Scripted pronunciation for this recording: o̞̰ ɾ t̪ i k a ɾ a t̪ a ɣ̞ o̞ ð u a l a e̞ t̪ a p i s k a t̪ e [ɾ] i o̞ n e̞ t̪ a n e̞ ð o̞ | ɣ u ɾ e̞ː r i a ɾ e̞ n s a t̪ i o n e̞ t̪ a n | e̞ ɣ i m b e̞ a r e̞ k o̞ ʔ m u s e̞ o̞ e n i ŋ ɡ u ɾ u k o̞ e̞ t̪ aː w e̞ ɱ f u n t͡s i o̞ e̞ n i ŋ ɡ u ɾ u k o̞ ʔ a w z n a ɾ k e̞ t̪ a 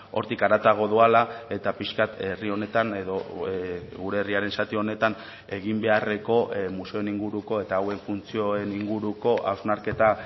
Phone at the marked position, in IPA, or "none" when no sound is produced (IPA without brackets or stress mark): r